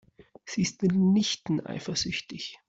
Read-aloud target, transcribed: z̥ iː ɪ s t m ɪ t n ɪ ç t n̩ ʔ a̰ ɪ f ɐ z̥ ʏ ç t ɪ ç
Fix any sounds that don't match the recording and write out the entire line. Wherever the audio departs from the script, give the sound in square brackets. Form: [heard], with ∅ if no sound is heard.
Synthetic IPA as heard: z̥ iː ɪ s t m ɪ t n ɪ ç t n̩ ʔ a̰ ɪ f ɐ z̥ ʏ ç t ɪ ç